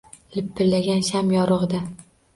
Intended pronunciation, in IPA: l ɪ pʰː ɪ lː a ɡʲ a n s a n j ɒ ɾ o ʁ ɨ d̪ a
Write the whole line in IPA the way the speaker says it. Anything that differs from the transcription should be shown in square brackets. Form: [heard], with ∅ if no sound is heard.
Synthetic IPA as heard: l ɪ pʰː ɪ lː a ɡʲ a n [ʃ] a [m] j ɒ ɾ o ʁ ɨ d̪ a